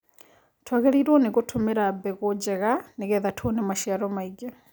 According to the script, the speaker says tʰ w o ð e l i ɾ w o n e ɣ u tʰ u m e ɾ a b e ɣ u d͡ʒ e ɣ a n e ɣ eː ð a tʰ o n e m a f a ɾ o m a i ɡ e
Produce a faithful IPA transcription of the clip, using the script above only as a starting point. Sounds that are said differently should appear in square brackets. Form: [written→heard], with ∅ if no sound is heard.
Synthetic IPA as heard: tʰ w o [ð→ɣ] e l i ɾ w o n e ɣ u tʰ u m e ɾ a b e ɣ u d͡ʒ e ɣ a n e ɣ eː ð a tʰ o n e m a [f→ʃ] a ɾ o m a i ɡ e

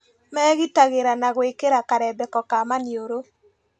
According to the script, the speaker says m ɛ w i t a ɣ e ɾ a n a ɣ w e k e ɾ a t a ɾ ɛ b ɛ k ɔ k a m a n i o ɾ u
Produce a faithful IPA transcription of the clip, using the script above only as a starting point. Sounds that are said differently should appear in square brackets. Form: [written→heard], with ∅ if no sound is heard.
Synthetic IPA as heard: m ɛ [w→ɣ] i t a ɣ e ɾ a n a ɣ w e k e ɾ a [t→k] a ɾ ɛ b ɛ k ɔ k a m a n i o ɾ [u→o]

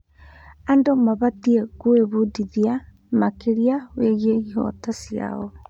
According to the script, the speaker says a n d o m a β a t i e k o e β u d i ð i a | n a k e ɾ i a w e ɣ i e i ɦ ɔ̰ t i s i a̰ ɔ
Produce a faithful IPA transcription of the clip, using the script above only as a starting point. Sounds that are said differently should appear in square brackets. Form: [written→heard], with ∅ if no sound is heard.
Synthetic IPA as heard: a n d o m a β a t i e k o e β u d i ð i a | [n→m] a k e ɾ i a w e ɣ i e i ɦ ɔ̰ t [i→a] s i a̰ ɔ

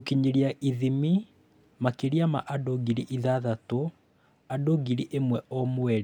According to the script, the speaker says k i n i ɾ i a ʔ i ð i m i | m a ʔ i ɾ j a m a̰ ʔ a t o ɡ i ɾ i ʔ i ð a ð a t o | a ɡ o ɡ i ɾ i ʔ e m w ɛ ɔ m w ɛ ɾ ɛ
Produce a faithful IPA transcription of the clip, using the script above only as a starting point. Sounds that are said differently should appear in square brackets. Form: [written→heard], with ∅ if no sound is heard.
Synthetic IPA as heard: k i [n→ɲ] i ɾ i a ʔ i ð i m i | m a [ʔ→k] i ɾ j a m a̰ ʔ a [t→d] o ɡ i ɾ i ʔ i ð a ð a t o | a [ɡ→d] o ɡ i ɾ i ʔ e m w ɛ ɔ m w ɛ ɾ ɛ

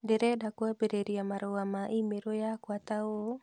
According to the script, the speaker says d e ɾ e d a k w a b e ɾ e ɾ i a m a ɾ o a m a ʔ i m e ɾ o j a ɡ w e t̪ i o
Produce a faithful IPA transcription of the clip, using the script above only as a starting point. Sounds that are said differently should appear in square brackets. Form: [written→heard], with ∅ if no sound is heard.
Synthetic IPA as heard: d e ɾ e d a k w a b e ɾ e ɾ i a m a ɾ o a m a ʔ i m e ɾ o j a [ɡ→k] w [e→a] t̪ [i→a] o

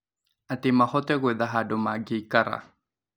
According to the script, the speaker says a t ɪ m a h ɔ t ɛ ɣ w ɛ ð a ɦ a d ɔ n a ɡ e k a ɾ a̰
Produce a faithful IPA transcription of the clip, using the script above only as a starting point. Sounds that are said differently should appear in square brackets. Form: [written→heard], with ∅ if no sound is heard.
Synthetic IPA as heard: a t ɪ m a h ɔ t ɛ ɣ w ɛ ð a ɦ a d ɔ [n→m] a ɡ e k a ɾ a̰

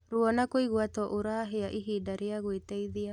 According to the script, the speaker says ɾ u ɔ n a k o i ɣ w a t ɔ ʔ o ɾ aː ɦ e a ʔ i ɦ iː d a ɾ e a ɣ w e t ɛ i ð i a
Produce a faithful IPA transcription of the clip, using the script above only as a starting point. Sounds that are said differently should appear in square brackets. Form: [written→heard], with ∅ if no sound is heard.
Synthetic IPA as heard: ɾ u ɔ n a k o i ɣ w a t ɔ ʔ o ɾ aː ɦ e a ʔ i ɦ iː d a ɾ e a ɣ w e t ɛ i ð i a

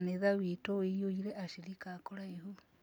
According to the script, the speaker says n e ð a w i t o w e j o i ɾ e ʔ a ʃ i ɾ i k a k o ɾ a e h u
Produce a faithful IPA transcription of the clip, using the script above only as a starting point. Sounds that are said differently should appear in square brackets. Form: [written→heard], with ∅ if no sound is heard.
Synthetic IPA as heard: n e ð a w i t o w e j o i ɾ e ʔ a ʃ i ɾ i k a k o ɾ a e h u

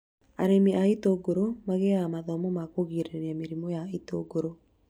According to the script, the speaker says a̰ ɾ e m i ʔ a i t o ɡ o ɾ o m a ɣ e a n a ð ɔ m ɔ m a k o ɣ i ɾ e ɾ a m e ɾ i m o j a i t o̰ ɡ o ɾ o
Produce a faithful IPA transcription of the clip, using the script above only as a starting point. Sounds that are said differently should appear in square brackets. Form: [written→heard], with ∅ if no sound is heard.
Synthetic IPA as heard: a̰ ɾ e m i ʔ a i t o ɡ o ɾ o m a ɣ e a [n→m] a ð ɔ m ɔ m a k o ɣ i ɾ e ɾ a m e ɾ i m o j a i t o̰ ɡ o ɾ o

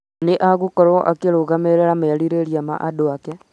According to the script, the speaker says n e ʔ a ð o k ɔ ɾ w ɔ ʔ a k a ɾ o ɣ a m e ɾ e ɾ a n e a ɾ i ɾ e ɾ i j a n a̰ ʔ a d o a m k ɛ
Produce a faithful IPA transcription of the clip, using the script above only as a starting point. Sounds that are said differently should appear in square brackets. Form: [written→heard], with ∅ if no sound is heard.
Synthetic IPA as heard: n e ʔ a [ð→ɣ] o k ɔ ɾ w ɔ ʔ a k [a→e] ɾ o ɣ a m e ɾ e ɾ a [n→m] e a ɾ i ɾ e ɾ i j a [n→m] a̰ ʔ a d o a [m→∅] k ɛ

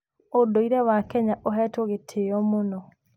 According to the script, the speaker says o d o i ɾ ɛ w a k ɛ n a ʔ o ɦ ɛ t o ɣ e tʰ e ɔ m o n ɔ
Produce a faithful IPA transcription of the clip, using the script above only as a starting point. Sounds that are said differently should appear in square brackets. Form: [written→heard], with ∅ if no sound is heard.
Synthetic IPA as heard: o d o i ɾ ɛ w a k ɛ [n→ɲ] a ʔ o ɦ ɛ t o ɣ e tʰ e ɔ m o n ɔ

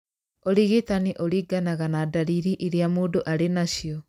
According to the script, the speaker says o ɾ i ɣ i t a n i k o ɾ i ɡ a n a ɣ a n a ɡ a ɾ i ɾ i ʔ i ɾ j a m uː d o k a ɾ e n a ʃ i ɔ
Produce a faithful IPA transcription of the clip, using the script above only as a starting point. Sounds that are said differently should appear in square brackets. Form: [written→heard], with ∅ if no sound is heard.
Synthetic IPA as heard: o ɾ i ɣ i t a n i [k→ʔ] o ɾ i ɡ a n a ɣ a n a [ɡ→d] a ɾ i ɾ i ʔ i ɾ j a m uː d o [k→ʔ] a ɾ e n a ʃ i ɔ

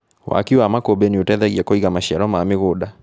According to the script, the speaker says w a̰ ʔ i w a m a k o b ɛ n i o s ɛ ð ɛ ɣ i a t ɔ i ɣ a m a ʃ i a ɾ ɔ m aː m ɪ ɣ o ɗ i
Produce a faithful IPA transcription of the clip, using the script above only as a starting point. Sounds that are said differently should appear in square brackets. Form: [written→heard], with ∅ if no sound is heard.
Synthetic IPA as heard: w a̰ [ʔ→k] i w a m a k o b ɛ n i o [s→t] ɛ ð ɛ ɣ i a [t→k] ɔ i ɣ a m a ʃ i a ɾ ɔ m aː m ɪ ɣ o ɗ [i→a]

